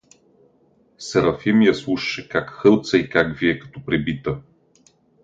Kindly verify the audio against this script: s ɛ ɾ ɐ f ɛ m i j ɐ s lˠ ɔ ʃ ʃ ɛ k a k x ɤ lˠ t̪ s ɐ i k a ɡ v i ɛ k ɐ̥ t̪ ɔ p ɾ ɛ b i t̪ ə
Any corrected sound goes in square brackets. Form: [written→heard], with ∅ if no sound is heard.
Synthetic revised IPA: s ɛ ɾ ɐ f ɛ m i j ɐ s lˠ [ɔ→u] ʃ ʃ ɛ k a k x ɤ lˠ t̪ s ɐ i k a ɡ v i ɛ k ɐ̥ t̪ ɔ p ɾ ɛ b i t̪ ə